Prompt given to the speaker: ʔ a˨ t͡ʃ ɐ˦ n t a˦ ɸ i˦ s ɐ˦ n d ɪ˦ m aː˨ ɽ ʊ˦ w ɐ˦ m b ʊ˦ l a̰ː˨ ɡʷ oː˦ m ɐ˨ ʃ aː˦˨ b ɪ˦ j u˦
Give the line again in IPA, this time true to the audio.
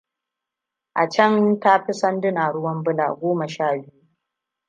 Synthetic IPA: ʔ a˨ t͡ʃ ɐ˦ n t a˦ ɸ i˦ s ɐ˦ n d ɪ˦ n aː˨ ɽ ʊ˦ w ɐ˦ m b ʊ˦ l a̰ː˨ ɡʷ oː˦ m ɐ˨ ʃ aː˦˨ b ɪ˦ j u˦